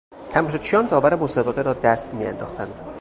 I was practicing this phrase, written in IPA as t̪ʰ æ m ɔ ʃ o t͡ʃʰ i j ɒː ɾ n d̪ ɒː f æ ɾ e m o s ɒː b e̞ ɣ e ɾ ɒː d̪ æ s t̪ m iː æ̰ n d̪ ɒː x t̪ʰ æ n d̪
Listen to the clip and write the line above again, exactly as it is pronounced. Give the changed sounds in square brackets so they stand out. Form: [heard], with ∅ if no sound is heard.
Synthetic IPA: t̪ʰ æ m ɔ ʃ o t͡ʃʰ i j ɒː [∅] n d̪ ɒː [v] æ ɾ e m o s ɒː b e̞ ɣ e ɾ ɒː d̪ æ s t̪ m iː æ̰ n d̪ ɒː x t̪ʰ æ n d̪